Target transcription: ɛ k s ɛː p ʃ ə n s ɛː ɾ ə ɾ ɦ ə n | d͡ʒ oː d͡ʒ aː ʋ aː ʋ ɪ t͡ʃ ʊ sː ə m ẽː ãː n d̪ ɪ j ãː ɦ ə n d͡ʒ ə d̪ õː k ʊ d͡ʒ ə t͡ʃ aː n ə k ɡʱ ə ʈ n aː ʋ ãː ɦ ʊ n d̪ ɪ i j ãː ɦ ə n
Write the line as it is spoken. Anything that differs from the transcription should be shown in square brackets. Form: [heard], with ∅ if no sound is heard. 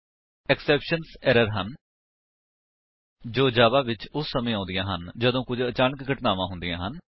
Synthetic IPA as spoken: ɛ k s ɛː p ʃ ə n s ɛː ɾ ə ɾ ɦ ə n | d͡ʒ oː d͡ʒ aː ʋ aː ʋ ɪ t͡ʃ ʊ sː ə m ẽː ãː n d̪ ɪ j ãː ɦ ə n d͡ʒ ə d̪ õː k ʊ d͡ʒ ə t͡ʃ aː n ə k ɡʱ ə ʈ n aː ʋ ãː ɦ ʊ n d̪ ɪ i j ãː ɦ ə n